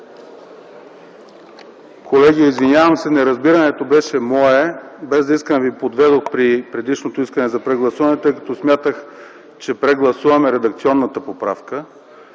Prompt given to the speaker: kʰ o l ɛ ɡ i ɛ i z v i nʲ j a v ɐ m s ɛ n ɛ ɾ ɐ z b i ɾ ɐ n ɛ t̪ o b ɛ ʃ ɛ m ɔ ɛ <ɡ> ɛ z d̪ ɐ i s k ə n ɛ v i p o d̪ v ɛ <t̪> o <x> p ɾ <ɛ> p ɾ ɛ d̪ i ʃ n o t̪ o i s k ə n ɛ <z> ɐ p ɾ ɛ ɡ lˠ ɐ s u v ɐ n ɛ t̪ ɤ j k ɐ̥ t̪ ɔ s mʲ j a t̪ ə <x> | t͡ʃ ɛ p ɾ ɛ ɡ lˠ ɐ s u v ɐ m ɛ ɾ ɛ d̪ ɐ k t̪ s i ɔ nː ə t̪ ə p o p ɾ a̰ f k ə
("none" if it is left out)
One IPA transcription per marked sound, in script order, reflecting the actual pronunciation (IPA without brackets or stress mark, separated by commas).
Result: b, d̪, x, i, z, x